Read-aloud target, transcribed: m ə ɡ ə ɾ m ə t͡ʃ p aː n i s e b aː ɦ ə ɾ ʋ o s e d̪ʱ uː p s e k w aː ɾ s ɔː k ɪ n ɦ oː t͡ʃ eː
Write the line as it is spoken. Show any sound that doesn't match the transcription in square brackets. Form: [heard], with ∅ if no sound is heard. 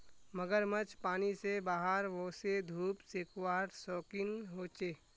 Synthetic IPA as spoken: m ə ɡ ə ɾ m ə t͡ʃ p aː n i s e b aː ɦ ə ɾ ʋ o s e d̪ʱ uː p s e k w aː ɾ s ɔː k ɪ n ɦ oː t͡ʃ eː